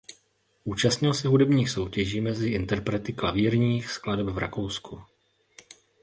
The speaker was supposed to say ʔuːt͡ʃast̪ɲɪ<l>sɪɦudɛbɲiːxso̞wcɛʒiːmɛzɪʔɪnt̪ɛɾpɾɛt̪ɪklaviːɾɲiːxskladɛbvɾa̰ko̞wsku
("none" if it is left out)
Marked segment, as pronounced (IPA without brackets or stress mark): l